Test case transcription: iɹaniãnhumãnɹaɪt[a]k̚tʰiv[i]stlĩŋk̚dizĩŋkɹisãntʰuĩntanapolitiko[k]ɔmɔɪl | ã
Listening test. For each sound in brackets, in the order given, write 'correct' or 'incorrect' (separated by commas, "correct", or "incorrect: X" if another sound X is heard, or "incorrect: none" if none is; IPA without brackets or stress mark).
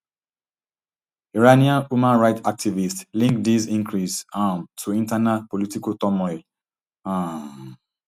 correct, correct, incorrect: t